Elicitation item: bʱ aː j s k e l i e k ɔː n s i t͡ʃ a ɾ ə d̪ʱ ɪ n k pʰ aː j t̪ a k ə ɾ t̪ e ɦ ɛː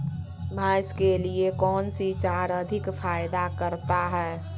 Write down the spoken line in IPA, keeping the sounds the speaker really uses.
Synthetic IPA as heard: bʱ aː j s k e l i e k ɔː n s i t͡ʃ a ɾ ə d̪ʱ ɪ k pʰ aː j d̪ a k ə ɾ t̪ a ɦ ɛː